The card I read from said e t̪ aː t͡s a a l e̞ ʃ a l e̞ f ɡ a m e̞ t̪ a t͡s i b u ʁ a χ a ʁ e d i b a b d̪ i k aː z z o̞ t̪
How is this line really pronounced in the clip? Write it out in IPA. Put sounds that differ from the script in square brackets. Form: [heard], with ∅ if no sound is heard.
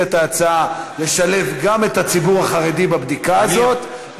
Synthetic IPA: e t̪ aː t͡s a a l e̞ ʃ a l e̞ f ɡ a m e̞ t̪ a t͡s i b u ʁ a χ a ʁ e d i b a b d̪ i k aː z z o̞ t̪